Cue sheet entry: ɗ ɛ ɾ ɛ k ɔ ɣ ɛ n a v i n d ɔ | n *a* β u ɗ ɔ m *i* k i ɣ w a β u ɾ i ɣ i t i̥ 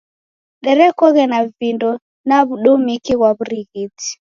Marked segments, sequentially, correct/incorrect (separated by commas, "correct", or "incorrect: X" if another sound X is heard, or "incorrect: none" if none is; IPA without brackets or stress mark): correct, correct